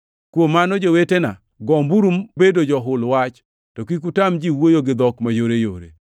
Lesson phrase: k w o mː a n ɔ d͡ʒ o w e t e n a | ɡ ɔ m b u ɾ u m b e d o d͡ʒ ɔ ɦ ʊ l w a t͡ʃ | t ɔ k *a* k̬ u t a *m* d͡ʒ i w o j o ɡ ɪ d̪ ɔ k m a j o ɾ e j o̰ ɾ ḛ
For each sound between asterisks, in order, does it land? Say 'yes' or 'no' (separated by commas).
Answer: no, yes